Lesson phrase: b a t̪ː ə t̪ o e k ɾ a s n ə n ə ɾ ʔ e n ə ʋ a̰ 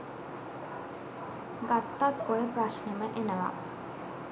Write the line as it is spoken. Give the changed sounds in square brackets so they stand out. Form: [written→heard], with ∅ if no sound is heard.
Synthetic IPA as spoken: [b→ɡ] a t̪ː [ə→a] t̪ o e [k→p] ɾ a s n ə [n→m] ə [ɾ→∅] ʔ e n ə ʋ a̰